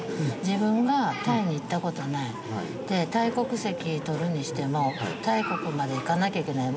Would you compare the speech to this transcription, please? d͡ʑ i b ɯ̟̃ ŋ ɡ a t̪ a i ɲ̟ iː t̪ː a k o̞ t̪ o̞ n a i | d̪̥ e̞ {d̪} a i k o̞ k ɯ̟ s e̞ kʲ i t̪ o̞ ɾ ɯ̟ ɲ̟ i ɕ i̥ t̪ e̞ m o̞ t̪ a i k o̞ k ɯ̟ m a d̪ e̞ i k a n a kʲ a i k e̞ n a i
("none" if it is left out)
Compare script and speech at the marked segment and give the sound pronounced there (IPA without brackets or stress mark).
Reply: t̪